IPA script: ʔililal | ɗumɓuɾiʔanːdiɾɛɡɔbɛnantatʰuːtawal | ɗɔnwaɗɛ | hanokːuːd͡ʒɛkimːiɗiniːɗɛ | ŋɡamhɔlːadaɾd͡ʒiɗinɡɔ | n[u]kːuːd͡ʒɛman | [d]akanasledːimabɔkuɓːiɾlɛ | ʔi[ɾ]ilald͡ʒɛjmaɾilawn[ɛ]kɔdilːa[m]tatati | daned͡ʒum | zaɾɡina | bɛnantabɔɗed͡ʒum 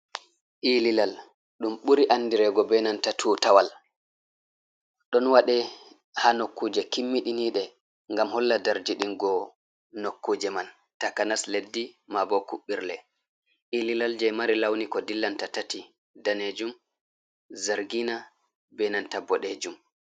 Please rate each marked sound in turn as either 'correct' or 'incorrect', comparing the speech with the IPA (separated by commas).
incorrect, incorrect, incorrect, incorrect, incorrect